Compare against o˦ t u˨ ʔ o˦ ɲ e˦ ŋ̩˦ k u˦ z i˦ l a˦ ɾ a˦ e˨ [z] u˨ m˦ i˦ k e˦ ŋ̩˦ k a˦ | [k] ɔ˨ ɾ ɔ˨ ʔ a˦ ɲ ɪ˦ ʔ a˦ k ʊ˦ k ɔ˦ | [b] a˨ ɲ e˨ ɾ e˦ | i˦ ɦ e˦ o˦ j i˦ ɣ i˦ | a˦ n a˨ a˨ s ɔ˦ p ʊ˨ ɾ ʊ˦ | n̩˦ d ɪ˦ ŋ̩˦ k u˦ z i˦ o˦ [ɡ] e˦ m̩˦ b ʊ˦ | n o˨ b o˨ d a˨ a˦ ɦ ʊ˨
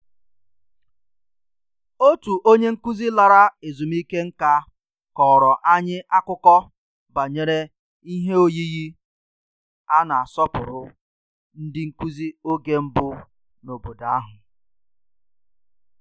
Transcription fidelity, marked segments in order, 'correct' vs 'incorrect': correct, correct, correct, correct

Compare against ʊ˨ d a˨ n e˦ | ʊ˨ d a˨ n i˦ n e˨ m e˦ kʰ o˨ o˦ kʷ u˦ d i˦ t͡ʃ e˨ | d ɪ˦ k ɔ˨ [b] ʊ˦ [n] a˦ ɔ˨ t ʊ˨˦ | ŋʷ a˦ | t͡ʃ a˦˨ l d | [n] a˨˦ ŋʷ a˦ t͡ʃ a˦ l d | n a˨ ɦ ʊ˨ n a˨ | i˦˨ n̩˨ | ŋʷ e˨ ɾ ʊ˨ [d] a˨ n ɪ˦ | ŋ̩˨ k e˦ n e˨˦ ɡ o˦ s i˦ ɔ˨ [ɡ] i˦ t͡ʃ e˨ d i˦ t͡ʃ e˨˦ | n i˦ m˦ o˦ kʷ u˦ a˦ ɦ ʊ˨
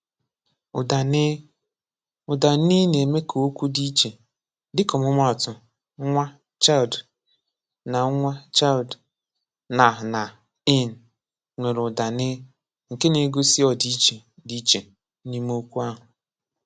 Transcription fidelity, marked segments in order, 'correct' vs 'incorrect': incorrect, incorrect, correct, correct, incorrect

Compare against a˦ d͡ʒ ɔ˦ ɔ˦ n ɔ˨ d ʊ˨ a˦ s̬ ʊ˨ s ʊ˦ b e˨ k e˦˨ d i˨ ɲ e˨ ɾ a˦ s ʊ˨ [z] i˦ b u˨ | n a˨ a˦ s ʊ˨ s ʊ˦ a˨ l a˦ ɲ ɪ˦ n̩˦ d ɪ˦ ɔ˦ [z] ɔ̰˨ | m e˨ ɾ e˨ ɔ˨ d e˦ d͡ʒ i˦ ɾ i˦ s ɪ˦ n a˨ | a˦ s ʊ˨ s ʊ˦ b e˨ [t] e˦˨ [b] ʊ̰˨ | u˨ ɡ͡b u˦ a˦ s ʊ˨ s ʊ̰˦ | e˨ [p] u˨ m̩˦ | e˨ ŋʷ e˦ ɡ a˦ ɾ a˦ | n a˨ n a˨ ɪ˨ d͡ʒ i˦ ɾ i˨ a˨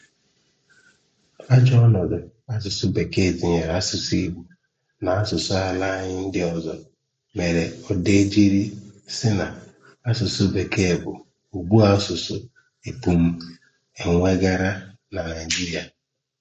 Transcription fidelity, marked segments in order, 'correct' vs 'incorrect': incorrect, correct, incorrect, correct, correct

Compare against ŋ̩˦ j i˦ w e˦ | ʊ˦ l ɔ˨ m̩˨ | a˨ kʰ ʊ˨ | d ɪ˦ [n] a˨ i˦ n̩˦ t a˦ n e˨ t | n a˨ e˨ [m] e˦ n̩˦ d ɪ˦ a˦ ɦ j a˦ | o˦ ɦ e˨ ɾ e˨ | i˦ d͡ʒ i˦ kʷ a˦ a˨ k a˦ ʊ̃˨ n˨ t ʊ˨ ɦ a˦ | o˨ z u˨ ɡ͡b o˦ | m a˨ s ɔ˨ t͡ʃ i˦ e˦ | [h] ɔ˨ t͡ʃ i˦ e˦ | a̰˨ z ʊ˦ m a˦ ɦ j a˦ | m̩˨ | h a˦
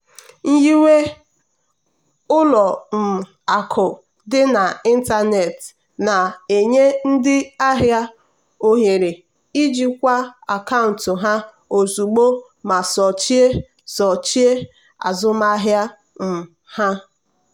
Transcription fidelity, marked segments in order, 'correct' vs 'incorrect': correct, incorrect, incorrect

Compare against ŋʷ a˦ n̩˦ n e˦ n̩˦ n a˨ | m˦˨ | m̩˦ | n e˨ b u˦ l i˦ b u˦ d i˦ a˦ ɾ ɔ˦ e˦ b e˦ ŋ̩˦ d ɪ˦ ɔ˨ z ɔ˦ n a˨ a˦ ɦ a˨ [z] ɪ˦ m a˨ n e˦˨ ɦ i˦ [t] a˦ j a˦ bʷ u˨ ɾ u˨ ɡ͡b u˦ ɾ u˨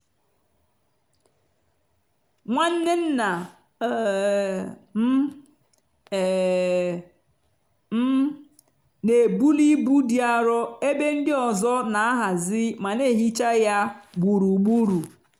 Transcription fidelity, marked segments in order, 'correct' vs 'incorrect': correct, incorrect

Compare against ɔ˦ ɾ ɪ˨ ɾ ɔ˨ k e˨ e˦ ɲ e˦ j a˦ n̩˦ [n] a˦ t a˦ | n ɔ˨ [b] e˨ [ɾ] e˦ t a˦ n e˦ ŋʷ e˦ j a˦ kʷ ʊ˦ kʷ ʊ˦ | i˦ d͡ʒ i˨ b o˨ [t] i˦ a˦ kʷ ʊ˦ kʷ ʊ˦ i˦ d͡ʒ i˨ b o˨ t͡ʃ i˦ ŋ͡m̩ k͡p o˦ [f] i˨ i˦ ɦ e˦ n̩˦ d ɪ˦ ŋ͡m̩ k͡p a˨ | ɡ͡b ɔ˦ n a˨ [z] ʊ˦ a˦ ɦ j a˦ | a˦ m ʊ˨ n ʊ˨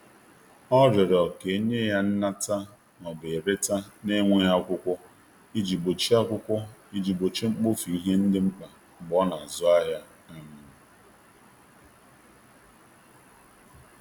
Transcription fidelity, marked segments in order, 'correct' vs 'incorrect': correct, correct, correct, incorrect, correct, correct

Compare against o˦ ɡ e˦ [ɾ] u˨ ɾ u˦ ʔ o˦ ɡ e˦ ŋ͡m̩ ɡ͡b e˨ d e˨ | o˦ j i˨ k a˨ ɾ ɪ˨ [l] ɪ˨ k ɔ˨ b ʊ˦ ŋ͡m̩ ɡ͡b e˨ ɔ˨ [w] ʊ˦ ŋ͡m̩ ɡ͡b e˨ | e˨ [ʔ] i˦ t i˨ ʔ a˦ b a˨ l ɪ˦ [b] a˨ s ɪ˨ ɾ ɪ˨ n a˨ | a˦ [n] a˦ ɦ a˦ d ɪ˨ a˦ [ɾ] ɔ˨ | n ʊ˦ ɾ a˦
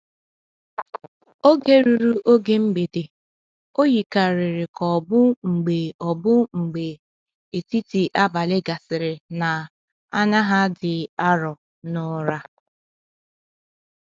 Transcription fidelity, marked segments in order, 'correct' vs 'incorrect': correct, incorrect, incorrect, incorrect, incorrect, incorrect, correct

